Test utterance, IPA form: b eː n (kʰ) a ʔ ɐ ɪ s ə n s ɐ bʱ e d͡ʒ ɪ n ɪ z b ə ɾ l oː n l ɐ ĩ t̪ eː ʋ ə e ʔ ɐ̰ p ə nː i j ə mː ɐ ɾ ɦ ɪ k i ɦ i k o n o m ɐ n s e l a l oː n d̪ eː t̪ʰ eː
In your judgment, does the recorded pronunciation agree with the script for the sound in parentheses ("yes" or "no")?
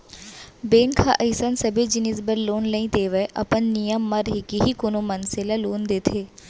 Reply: yes